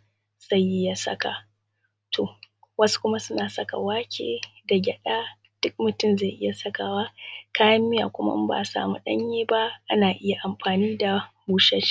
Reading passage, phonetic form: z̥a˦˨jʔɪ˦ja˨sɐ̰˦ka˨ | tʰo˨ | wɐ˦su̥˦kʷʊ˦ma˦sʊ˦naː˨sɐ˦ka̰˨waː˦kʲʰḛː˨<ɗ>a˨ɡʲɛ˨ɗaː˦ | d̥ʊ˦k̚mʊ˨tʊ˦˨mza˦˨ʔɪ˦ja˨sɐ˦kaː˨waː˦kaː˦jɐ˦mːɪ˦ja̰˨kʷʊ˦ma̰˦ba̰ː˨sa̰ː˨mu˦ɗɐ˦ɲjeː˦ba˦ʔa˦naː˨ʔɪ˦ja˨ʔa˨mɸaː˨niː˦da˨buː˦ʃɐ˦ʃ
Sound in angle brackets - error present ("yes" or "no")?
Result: yes